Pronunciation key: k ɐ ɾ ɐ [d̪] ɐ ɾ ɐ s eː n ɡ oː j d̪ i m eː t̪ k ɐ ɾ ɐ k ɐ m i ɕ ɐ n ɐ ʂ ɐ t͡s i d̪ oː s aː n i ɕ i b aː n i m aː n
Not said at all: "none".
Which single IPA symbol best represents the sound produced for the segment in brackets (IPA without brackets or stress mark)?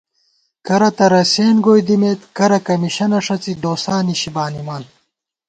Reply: t̪